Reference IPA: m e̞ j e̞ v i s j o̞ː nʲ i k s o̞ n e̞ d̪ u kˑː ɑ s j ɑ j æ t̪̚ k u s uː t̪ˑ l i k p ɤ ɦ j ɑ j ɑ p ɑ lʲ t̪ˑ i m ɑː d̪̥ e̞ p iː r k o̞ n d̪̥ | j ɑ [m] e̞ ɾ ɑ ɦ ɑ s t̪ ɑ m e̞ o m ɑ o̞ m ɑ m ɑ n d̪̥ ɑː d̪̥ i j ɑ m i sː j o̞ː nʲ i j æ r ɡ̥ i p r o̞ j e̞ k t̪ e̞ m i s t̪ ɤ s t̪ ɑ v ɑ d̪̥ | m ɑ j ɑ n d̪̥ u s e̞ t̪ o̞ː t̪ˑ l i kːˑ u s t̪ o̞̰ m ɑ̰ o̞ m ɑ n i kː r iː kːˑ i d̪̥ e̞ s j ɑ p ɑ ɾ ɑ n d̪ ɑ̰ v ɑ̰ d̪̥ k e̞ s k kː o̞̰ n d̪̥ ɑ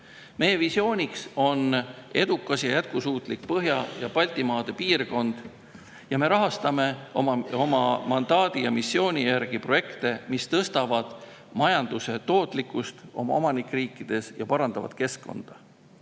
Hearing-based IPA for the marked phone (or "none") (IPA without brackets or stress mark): m